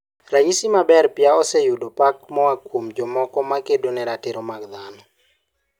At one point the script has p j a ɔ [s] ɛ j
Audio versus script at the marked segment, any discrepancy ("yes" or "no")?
no